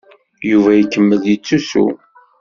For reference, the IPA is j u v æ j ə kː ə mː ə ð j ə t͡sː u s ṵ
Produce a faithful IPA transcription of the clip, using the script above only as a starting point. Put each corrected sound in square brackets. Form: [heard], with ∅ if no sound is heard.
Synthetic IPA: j u v æ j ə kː ə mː ə ð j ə t͡sː u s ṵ